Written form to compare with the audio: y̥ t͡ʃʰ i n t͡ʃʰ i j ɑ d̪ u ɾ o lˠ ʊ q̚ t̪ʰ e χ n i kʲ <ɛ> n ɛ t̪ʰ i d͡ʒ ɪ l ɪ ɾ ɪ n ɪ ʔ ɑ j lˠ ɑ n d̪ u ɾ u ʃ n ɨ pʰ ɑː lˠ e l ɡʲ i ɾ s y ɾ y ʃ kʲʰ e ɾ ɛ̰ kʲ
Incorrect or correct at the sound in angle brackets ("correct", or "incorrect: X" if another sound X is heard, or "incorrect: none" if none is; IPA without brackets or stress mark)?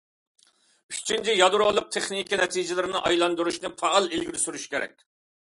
incorrect: i